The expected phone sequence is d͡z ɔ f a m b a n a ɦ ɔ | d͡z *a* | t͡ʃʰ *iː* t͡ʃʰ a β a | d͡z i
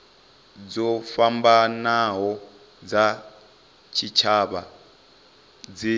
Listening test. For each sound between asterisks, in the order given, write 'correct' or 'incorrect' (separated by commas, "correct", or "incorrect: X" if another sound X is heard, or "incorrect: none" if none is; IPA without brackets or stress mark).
correct, incorrect: i